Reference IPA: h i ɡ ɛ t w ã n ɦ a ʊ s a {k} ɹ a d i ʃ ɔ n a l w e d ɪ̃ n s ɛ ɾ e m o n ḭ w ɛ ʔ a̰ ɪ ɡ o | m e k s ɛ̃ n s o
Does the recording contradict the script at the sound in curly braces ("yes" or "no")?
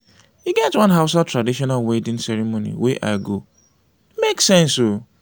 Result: yes